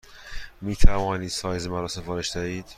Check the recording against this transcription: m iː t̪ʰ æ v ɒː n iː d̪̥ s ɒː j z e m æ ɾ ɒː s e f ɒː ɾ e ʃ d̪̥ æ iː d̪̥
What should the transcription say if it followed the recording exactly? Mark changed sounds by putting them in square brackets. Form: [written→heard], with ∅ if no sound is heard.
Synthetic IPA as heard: m iː t̪ʰ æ v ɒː n iː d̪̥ s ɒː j z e m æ ɾ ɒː s e f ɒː ɾ e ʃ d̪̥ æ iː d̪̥